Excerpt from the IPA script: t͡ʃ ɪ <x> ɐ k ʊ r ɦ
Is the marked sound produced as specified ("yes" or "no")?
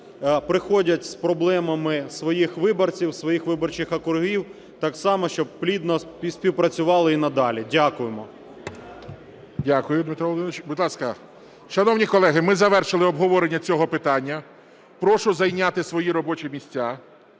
yes